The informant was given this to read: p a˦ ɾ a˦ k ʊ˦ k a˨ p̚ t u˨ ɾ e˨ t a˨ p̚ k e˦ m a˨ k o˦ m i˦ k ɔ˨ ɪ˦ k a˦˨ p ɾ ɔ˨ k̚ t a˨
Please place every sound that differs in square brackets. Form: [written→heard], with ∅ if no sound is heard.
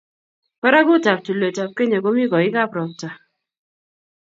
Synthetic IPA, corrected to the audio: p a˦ ɾ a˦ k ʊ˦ [k→t] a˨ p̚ t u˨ [ɾ→l] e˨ t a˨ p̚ k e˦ [m→ɲ] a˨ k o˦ m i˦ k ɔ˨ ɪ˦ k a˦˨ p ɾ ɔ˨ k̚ t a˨